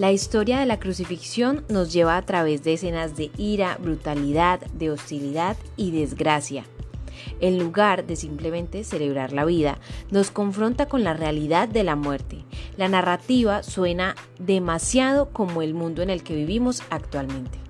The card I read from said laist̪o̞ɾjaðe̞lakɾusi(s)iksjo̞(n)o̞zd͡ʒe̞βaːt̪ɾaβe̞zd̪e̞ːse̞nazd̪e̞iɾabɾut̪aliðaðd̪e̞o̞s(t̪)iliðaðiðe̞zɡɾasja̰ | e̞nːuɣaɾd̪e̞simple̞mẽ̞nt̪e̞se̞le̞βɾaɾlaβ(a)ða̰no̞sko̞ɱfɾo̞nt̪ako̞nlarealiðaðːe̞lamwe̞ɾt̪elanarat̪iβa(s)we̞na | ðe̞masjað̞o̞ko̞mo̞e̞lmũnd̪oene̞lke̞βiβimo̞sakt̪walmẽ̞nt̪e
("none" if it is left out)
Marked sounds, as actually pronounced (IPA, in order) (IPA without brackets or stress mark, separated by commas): f, nː, t̪, i, s